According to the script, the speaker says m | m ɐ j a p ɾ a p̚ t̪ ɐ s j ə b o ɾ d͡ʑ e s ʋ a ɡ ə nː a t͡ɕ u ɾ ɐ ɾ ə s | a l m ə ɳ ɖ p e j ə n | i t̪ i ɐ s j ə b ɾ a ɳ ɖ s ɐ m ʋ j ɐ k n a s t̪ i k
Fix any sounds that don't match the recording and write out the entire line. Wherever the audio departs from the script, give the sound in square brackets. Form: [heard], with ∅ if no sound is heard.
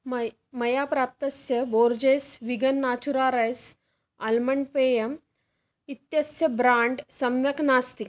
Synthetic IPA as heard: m | m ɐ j a p ɾ a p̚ t̪ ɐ s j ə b o ɾ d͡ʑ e s ʋ [i] ɡ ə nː a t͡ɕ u ɾ [a] ɾ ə s | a l m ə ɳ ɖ p e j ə [m] | i t̪ [j] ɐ s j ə b ɾ a ɳ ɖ s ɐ m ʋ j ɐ k n a s t̪ i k